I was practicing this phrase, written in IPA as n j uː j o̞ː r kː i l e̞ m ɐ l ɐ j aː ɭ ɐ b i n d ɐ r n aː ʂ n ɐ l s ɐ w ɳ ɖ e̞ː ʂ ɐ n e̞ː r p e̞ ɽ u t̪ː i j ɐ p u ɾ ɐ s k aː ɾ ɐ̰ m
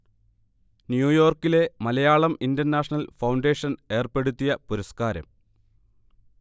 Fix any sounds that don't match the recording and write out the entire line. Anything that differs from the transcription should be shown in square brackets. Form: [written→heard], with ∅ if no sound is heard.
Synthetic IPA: n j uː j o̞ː r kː i l e̞ m ɐ l ɐ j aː ɭ ɐ [b→m] i n d ɐ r n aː ʂ n ɐ l [s→f] ɐ w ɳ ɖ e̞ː ʂ ɐ n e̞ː r p e̞ ɽ u t̪ː i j ɐ p u ɾ ɐ s k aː ɾ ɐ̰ m